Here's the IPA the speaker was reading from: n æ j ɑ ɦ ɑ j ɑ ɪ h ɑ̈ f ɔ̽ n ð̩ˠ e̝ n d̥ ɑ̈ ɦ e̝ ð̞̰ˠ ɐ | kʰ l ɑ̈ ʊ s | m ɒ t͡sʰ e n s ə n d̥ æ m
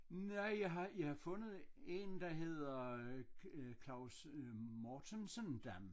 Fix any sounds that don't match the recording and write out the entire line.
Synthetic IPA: n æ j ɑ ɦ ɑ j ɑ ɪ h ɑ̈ f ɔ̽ n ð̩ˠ e̝ n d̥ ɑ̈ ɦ e̝ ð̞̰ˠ ɐ | kʰ l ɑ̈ ʊ s | m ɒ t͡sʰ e n s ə n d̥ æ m